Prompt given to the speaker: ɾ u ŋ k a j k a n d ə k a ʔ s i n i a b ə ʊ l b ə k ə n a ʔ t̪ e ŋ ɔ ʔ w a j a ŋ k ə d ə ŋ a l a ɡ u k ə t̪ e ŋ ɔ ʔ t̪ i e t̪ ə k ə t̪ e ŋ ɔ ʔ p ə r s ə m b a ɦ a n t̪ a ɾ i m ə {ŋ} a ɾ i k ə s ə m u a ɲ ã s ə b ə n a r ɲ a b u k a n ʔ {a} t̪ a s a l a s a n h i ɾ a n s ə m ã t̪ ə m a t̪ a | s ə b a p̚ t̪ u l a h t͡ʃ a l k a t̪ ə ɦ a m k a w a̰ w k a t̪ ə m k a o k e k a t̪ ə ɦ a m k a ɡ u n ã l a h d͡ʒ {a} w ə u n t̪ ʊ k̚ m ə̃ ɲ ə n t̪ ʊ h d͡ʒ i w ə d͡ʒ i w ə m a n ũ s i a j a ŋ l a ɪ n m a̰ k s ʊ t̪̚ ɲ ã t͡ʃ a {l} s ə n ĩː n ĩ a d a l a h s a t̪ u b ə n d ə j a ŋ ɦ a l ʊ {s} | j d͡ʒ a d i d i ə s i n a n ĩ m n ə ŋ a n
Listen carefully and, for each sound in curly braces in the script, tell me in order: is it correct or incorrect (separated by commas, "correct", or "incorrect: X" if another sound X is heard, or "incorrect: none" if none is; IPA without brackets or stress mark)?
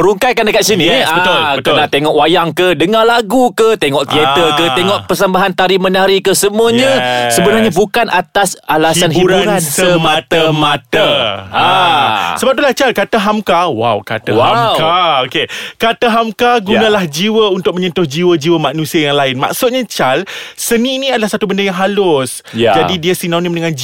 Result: incorrect: n, correct, incorrect: i, correct, correct